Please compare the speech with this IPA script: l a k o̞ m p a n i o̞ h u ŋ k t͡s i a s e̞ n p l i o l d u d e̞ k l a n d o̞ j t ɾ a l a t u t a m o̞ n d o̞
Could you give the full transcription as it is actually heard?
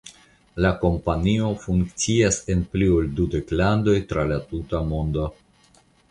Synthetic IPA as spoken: l a k o̞ m p a n i o̞ f u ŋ k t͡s i a s e̞ n p l i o l d u d e̞ k l a n d o̞ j t ɾ a l a t u t a m o̞ n d o̞